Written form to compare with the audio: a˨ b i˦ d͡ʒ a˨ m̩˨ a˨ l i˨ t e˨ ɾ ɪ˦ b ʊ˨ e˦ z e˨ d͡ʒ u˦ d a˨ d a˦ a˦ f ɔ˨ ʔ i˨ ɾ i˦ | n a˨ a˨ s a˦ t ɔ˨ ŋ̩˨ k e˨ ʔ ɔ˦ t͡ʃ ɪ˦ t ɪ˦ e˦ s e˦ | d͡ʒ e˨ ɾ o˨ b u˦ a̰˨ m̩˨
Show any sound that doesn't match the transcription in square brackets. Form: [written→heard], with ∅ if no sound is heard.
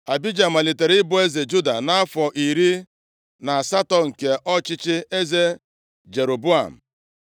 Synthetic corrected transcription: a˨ b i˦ d͡ʒ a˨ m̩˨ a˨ l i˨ t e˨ ɾ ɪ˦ b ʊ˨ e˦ z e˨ d͡ʒ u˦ d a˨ [d→n] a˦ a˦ f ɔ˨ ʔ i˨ ɾ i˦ | n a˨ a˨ s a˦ t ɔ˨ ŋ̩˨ k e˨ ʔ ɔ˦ t͡ʃ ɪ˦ [t→t͡ʃ] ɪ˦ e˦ [s→z] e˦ | d͡ʒ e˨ ɾ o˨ b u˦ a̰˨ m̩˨

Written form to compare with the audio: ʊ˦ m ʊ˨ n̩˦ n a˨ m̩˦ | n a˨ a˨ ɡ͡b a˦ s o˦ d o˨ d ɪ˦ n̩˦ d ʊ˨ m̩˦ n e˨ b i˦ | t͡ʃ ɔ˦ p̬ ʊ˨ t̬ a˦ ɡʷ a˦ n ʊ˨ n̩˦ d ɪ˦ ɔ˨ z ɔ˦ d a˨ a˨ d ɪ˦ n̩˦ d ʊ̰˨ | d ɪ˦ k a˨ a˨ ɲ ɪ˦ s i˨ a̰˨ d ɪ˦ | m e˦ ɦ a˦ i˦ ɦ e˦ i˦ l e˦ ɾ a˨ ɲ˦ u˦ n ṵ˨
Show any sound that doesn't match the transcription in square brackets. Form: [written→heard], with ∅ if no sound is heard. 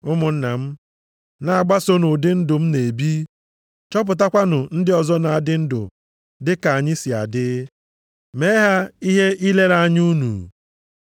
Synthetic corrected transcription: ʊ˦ m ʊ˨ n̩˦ n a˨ m̩˦ | n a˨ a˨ ɡ͡b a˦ s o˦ [d→n] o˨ d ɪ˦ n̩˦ d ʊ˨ m̩˦ n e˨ b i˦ | t͡ʃ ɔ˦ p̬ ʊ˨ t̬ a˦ [ɡʷ→kʷ] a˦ n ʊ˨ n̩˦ d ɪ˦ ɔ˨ z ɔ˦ [d→n] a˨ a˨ d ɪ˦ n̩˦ d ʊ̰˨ | d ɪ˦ k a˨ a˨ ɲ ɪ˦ s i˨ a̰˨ d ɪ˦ | m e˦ ɦ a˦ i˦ ɦ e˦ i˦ l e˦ ɾ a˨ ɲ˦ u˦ n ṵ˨

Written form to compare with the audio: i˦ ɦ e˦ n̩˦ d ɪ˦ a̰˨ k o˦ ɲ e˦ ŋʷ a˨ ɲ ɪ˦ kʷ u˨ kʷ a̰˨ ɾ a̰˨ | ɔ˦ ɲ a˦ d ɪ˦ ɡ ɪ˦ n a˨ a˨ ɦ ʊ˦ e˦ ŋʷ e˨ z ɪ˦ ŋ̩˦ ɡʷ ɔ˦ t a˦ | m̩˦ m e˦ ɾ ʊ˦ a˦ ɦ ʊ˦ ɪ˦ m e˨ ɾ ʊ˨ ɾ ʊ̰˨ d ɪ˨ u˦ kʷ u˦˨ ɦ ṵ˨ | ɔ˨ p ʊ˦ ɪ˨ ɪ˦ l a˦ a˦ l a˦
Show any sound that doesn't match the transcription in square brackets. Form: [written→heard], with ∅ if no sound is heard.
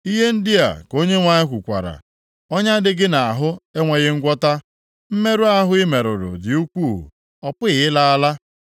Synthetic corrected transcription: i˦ ɦ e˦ n̩˦ d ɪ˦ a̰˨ k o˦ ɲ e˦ ŋʷ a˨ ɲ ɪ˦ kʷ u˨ kʷ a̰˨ ɾ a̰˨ | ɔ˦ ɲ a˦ d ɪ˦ ɡ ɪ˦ n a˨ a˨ ɦ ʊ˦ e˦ ŋʷ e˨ [z→ɣ] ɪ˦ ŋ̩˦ ɡʷ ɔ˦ t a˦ | m̩˦ m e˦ ɾ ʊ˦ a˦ ɦ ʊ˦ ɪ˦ m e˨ ɾ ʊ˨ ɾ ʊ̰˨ d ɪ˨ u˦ kʷ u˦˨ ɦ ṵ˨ | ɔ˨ p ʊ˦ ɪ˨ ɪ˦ l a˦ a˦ l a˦

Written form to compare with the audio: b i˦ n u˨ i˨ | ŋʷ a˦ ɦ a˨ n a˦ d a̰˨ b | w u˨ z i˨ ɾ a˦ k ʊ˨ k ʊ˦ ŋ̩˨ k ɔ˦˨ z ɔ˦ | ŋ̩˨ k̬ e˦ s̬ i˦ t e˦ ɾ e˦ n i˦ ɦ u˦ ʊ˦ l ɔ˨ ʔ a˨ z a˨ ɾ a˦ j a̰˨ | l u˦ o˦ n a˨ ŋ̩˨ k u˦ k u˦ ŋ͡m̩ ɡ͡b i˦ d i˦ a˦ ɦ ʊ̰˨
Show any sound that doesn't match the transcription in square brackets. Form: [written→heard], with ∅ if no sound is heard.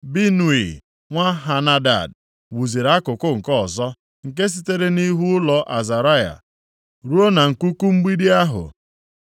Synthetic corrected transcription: b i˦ n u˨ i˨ | ŋʷ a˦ ɦ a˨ n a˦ d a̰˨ [b→d] | w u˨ z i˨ ɾ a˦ k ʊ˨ k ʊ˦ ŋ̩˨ k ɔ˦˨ z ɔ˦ | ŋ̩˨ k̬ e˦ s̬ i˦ t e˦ ɾ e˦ n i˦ ɦ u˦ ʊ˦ l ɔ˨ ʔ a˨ z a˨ ɾ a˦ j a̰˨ | [l→ɾ] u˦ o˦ n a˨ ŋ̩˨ k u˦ k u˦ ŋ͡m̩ ɡ͡b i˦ d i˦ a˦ ɦ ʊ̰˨

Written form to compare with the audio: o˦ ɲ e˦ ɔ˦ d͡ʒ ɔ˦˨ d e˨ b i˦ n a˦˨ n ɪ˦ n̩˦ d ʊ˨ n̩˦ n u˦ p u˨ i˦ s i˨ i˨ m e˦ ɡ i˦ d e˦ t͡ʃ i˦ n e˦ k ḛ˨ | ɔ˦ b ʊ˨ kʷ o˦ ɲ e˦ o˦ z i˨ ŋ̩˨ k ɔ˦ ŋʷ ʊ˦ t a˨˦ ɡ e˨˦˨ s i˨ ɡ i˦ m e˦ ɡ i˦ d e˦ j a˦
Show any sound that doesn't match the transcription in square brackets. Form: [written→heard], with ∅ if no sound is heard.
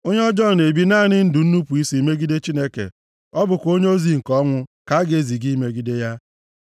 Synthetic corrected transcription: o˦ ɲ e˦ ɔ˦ d͡ʒ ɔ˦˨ [d→n] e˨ b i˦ n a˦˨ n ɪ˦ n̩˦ d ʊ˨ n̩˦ n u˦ p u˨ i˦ s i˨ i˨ m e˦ ɡ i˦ d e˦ t͡ʃ i˦ n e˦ k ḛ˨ | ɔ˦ b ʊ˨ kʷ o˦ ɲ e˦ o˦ z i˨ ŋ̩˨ k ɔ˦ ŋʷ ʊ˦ [t→k] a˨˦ ɡ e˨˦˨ [s→z] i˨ ɡ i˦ m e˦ ɡ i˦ d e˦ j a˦

